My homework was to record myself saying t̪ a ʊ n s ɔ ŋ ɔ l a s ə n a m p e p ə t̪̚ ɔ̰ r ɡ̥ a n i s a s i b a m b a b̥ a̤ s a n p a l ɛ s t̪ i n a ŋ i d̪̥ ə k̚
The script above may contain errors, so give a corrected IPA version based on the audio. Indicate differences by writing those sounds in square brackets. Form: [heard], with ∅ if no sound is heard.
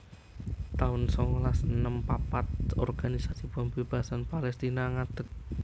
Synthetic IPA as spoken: t̪ a ʊ n s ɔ ŋ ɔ l a s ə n [ə] m p [a] p [a] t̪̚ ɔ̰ r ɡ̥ a n i s a s i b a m b [e] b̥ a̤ s a n p a l ɛ s t̪ i n a ŋ [a] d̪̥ ə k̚